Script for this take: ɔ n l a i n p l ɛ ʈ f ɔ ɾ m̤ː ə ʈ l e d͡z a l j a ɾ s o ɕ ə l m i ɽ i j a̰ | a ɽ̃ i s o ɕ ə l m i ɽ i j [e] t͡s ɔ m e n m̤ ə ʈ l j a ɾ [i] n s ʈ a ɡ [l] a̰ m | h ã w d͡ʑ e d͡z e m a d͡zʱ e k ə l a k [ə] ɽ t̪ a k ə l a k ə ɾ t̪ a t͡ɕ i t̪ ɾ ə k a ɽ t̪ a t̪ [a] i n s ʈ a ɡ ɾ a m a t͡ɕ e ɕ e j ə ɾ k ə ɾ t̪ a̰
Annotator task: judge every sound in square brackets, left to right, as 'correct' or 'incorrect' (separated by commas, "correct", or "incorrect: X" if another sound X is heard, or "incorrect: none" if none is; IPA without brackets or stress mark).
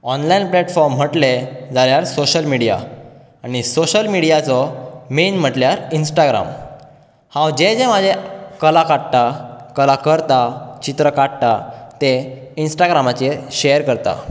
incorrect: a, correct, incorrect: ɾ, incorrect: a, incorrect: e